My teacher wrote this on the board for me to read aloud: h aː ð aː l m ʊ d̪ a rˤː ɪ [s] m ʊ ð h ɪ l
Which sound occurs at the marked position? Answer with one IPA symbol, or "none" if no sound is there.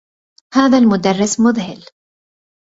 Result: s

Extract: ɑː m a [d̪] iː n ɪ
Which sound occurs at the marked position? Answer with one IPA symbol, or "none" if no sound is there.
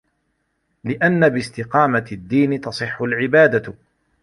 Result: d̪ː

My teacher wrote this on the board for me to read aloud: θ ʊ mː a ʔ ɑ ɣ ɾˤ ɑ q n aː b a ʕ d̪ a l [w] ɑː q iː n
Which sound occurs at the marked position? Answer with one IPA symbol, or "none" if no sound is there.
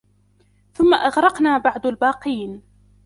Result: b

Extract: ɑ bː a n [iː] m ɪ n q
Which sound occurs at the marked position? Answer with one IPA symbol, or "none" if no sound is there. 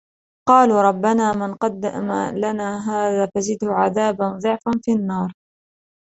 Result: aː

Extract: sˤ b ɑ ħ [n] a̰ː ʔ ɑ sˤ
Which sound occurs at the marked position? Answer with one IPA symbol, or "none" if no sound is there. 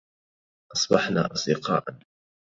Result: n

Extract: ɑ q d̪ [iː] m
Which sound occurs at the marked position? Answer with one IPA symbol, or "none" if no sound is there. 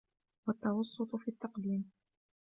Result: iː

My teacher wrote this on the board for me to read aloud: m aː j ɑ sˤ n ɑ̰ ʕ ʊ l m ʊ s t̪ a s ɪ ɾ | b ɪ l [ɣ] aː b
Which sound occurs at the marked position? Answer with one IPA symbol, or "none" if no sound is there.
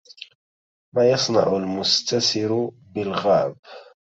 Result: ɣ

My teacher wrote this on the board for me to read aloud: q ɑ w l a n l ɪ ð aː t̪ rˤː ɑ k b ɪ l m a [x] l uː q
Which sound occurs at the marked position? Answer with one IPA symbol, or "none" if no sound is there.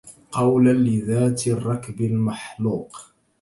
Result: ħ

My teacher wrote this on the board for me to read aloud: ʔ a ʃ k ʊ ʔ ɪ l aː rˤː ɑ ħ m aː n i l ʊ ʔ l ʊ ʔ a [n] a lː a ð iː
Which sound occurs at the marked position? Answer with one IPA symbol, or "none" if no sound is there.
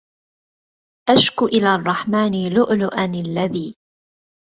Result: n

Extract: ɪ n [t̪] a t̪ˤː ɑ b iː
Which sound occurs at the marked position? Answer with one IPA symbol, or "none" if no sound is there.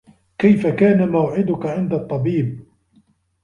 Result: d̪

